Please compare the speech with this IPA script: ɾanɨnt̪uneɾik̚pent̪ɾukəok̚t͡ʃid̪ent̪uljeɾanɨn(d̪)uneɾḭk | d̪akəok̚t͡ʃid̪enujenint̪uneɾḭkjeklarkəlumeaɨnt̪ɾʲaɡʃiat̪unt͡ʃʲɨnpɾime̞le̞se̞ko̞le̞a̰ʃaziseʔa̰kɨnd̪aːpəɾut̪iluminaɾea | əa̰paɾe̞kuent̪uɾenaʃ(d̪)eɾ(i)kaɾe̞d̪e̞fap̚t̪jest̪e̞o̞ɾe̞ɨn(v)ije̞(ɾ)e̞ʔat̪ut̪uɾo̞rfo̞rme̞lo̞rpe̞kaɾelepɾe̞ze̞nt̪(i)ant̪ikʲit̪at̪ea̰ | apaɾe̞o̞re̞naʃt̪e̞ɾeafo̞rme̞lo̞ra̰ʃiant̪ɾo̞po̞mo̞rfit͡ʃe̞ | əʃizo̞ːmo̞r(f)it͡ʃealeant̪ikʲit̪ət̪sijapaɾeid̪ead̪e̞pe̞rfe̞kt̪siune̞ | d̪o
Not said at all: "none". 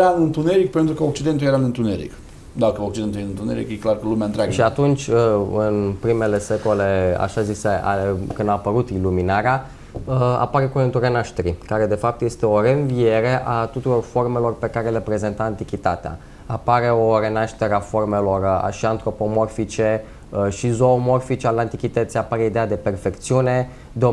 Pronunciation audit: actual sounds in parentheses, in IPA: t̪, t̪, i, v, ɾ, a, f

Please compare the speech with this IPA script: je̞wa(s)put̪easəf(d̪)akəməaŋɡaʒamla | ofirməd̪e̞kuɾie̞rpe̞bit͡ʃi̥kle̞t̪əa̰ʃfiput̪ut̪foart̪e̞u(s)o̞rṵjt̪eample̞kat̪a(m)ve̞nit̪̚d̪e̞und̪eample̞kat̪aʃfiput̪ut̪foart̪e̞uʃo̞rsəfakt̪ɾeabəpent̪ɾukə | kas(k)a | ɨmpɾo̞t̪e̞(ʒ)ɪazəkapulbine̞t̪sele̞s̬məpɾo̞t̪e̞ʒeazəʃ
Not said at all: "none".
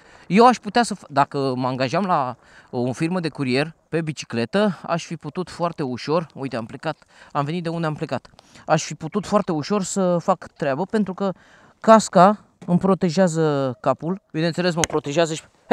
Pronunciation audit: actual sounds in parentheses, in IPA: ʃ, d̪, ʃ, m, k, ʒ

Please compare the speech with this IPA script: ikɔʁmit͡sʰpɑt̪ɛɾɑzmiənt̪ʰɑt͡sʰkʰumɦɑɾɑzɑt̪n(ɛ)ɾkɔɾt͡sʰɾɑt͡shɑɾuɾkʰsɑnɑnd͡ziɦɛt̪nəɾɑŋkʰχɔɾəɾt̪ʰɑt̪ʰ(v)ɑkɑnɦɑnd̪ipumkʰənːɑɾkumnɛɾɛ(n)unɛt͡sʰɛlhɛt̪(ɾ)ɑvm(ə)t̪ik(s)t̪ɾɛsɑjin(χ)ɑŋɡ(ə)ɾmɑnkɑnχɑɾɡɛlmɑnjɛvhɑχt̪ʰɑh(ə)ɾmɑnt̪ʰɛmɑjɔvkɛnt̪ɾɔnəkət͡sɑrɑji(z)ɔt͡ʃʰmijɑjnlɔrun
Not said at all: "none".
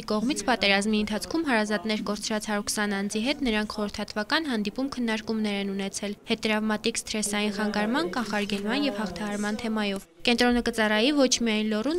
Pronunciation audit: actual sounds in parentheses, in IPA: ɛ, v, n, ɾ, ɑ, s, χ, ɑ, ɑ, v

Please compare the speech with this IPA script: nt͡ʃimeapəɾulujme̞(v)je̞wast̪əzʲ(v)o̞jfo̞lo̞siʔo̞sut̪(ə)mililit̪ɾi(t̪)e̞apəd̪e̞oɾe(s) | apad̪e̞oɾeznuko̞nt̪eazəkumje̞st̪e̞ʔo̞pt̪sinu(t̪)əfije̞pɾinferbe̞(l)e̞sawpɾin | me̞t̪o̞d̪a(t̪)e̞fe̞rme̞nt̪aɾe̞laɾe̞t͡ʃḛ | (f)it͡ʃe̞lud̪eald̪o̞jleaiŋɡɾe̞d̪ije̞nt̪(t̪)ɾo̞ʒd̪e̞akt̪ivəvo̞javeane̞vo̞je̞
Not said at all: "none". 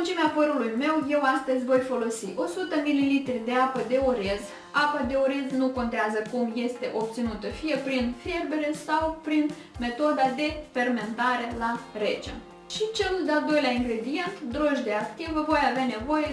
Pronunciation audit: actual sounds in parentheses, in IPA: w, v, ə, d̪, z, t̪, ɾ, d̪, ʃ, d̪

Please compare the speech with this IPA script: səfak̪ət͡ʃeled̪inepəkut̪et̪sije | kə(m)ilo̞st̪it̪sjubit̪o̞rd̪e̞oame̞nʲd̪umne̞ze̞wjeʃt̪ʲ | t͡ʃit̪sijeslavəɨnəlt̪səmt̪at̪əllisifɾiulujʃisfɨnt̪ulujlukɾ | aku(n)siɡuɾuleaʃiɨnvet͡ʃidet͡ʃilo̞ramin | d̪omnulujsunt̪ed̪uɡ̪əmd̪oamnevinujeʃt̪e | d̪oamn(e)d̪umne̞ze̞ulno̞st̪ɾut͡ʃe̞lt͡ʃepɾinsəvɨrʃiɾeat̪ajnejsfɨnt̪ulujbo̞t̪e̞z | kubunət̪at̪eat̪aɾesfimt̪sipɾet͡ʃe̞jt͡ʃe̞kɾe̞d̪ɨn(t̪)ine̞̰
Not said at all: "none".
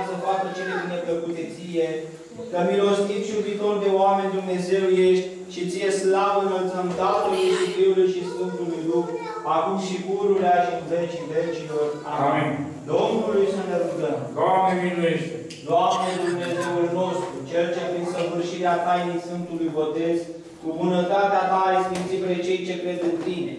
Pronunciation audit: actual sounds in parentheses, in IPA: m, m, e, t̪

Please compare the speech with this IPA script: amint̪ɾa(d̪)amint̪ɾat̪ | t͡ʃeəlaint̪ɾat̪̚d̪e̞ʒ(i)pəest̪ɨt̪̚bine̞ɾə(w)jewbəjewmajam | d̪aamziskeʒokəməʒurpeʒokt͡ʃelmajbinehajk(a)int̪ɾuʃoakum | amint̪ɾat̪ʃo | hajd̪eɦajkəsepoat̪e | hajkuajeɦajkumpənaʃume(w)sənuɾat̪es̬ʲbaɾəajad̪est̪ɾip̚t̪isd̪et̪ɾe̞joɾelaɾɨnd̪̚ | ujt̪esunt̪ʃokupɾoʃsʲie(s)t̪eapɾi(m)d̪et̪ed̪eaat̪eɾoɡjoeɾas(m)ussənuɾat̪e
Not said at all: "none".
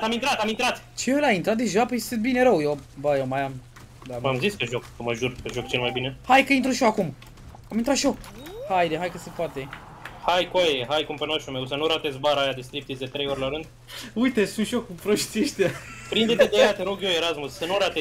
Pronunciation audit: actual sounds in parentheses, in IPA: t̪, a, w, ə, w, ʃ, n, m

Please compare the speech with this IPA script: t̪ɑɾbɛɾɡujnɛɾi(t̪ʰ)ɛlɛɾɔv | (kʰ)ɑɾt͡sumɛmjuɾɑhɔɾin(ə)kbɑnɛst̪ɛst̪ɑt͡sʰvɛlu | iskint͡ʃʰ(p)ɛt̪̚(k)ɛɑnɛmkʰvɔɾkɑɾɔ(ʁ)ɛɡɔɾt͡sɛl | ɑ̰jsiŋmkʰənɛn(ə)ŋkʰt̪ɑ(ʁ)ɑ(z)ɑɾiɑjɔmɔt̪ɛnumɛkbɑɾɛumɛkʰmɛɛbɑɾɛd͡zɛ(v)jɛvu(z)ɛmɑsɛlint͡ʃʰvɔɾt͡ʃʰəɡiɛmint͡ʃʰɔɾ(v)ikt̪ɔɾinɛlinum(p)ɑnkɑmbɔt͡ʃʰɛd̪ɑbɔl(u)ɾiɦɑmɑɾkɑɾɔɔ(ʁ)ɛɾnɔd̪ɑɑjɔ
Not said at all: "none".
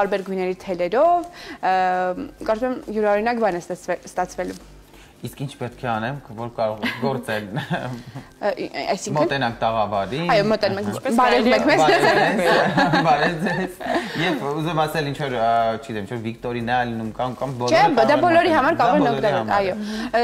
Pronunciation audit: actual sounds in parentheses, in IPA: t̪ʰ, k, ɑ, p, kʰ, ʁ, ɑ, ʁ, v, z, z, v, k, ɔ, ʁ

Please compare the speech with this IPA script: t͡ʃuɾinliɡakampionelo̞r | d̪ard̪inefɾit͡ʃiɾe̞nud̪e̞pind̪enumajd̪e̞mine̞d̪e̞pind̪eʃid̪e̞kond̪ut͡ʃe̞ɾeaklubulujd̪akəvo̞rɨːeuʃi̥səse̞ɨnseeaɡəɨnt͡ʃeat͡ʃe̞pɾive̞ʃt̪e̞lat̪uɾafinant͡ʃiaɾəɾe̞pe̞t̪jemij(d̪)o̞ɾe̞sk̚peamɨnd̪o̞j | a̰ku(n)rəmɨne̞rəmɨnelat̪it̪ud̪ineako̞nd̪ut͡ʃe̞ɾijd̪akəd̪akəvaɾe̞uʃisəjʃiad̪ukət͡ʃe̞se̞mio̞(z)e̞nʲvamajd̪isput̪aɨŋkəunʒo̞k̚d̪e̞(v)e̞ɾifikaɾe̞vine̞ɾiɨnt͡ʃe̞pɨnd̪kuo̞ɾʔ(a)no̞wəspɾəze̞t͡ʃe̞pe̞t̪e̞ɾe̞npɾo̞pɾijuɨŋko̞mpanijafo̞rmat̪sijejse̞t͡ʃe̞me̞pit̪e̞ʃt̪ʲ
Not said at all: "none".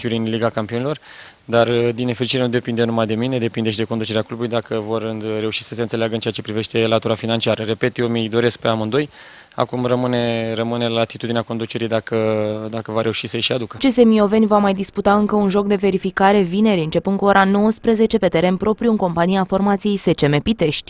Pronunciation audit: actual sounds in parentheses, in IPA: d̪, m, v, v, a

